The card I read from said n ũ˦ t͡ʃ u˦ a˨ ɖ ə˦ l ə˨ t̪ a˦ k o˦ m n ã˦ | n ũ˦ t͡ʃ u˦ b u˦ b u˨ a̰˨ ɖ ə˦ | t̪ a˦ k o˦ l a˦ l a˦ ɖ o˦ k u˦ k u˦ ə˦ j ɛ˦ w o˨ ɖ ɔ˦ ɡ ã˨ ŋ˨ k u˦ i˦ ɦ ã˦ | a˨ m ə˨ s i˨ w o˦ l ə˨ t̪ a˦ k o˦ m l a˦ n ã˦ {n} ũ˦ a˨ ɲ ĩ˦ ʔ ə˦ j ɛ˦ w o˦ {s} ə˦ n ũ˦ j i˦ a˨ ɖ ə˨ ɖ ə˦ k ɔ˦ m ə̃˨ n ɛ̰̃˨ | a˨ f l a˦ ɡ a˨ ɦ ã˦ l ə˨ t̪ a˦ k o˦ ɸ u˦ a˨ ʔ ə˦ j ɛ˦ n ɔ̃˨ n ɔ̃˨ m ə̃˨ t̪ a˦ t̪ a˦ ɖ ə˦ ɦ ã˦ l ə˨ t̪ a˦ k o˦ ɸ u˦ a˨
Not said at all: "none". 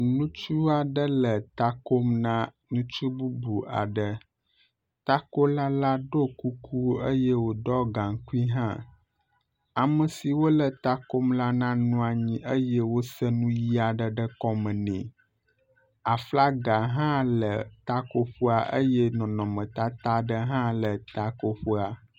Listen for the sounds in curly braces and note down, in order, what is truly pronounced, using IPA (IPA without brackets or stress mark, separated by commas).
n, s